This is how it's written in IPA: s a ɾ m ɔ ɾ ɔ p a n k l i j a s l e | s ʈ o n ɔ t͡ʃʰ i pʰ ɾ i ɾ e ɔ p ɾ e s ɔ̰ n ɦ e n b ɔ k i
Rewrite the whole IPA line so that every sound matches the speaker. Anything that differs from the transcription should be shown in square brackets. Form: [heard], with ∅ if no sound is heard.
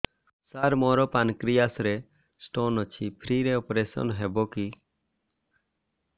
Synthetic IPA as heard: s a ɾ m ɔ ɾ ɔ p a n k [ɾ] i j a s [ɾ] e | s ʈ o n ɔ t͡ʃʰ i pʰ ɾ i ɾ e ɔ p ɾ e s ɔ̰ n ɦ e [∅] b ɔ k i